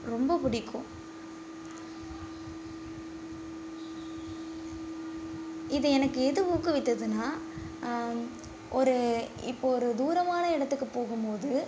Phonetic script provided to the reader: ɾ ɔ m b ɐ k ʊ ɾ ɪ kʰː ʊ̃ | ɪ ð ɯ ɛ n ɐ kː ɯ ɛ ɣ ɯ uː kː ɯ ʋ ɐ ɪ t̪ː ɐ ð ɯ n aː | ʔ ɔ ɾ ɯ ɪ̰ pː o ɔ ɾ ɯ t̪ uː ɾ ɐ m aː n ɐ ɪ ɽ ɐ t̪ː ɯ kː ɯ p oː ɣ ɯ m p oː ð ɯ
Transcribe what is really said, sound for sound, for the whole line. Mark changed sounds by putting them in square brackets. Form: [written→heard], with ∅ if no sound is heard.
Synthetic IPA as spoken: ɾ ɔ m b ɐ [k→p] ʊ [ɾ→ɽ] ɪ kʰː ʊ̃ | ɪ ð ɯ ɛ n ɐ kː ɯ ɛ [ɣ→ð] ɯ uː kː ɯ ʋ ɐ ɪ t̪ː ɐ ð ɯ n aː | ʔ ɔ ɾ ɯ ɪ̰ pː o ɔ ɾ ɯ [t̪→d̪] uː ɾ ɐ m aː n ɐ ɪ ɽ ɐ t̪ː ɯ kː ɯ p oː ɣ ɯ m p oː ð ɯ